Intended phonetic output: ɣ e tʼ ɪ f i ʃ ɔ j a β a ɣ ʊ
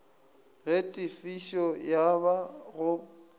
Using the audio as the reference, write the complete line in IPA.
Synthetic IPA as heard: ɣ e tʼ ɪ f i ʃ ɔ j a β a ɣ ʊ